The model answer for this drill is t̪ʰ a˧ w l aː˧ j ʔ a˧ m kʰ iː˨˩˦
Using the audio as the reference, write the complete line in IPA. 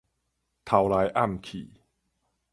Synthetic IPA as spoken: t̪ʰ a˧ w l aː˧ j ʔ a˥˩ m kʰ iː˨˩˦